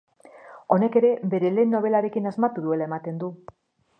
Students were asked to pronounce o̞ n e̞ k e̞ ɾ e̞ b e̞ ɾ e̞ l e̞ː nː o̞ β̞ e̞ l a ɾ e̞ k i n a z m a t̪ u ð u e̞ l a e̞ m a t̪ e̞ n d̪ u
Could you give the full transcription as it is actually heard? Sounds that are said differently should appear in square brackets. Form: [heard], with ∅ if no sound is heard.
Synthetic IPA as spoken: o̞ n e̞ k e̞ ɾ e̞ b e̞ ɾ e̞ l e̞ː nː o̞ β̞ e̞ l a ɾ e̞ k i n a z m a t̪ u ð u e̞ l a e̞ m a t̪ e̞ n d̪ u